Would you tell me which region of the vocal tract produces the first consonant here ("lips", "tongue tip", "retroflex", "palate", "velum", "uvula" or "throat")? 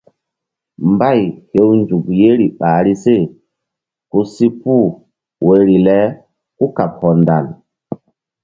lips